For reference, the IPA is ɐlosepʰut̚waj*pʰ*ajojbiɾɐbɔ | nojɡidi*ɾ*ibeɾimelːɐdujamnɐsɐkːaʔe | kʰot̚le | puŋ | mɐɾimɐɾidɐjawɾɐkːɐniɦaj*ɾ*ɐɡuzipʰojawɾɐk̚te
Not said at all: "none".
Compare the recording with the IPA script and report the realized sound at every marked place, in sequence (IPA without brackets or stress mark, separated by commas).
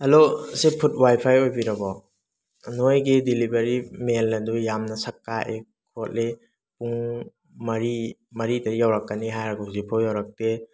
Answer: pʰ, l, ɾ